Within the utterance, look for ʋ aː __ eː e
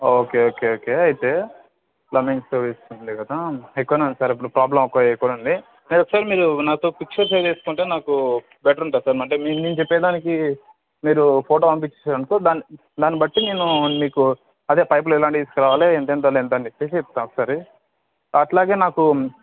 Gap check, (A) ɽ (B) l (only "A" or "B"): B